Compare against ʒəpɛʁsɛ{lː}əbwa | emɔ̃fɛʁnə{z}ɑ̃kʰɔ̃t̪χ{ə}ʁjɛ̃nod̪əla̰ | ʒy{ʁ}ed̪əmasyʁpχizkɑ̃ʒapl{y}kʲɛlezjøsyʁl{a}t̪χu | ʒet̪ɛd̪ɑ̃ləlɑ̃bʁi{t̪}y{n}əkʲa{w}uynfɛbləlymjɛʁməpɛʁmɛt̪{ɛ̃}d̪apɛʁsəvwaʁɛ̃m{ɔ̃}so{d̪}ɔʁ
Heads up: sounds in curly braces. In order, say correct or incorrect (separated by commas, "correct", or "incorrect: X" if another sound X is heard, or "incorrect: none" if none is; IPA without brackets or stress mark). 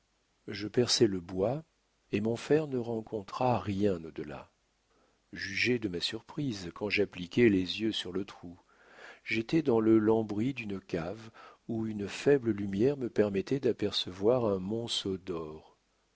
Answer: incorrect: l, incorrect: ʁ, incorrect: a, incorrect: ʒ, incorrect: i, incorrect: ə, incorrect: d̪, correct, incorrect: v, incorrect: ɛ, correct, correct